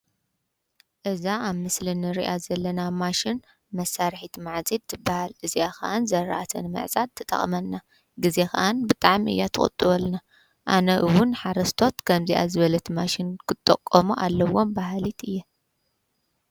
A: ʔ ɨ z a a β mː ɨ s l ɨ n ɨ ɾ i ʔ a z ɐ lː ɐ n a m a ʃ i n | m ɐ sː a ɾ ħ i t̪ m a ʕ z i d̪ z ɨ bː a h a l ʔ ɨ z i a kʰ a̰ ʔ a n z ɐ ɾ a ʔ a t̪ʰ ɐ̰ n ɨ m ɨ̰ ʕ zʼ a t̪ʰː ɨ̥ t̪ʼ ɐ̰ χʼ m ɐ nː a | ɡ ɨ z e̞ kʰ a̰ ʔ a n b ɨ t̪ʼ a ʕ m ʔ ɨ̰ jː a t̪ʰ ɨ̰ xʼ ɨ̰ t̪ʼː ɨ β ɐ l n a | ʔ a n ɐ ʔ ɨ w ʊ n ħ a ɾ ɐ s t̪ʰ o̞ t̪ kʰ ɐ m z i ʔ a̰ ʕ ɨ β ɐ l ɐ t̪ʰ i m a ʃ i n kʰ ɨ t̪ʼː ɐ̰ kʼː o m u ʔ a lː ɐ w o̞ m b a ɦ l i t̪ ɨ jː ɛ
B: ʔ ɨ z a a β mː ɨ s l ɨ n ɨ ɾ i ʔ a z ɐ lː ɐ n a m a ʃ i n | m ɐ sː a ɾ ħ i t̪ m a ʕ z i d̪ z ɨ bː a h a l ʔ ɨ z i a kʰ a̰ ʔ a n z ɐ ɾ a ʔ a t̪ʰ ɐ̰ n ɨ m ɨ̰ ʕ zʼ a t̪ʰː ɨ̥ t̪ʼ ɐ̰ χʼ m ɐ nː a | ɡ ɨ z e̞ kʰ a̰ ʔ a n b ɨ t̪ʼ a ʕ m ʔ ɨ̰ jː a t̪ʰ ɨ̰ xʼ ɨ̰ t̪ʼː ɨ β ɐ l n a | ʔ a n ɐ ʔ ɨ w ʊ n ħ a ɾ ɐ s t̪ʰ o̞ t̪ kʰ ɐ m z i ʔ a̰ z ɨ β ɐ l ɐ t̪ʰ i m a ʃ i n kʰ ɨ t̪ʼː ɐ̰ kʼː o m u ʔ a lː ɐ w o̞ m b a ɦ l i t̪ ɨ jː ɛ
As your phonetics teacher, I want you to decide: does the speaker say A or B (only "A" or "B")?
B